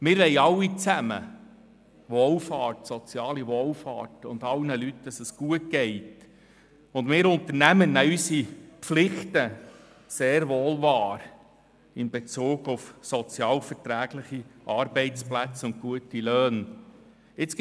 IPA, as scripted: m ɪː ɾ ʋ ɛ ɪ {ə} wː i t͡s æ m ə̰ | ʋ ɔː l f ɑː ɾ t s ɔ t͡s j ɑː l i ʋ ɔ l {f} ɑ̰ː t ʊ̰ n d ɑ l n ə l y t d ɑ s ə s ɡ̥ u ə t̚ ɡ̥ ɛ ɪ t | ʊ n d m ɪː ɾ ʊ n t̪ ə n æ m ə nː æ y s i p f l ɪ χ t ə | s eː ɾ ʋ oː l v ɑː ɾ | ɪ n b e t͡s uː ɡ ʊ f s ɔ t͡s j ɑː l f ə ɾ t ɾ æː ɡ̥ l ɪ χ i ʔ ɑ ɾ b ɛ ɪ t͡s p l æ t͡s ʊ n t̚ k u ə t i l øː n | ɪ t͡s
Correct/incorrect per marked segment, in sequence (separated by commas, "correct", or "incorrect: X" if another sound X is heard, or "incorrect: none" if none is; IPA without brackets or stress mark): incorrect: ɑ, correct